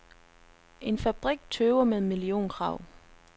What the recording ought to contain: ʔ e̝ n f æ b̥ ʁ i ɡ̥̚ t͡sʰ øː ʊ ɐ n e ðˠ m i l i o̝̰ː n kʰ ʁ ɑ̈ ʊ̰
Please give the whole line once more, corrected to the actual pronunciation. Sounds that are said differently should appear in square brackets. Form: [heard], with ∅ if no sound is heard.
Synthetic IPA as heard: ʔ e̝ n f æ b̥ ʁ i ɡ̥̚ t͡sʰ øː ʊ ɐ [m] e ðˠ m i l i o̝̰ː n kʰ ʁ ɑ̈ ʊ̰